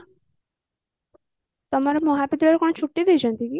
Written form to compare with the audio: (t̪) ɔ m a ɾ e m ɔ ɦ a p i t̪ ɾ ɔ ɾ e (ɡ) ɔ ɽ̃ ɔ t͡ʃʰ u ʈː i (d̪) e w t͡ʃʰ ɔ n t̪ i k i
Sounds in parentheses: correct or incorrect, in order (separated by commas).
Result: correct, incorrect, correct